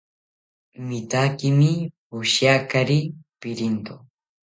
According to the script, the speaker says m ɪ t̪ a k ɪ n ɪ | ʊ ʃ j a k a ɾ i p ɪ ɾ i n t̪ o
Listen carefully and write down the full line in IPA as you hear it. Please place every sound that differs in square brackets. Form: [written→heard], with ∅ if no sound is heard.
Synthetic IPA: m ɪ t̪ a k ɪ [n→m] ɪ | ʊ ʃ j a k a ɾ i p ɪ ɾ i n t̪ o